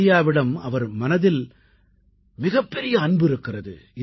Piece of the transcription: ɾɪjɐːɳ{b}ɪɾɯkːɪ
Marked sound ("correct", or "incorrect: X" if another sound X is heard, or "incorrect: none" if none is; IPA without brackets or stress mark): correct